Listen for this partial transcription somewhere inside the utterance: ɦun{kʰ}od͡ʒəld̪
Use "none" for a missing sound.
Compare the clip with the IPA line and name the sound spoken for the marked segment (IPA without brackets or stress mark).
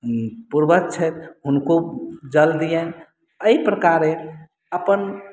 k